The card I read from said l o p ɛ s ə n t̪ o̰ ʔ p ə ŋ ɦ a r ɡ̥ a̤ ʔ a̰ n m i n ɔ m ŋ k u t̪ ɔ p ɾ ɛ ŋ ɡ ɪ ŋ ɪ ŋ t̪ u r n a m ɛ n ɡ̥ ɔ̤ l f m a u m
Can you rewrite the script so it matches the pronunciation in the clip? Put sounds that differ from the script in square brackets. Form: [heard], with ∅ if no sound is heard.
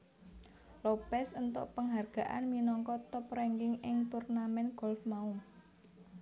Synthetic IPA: l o p ɛ s ə n t̪ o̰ ʔ p ə ŋ ɦ a r ɡ̥ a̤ ʔ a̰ n m i n ɔ [∅] ŋ k [ɔ] t̪ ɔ p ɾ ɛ ŋ ɡ ɪ ŋ ɪ ŋ t̪ u r n a m ɛ n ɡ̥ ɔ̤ l f m a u m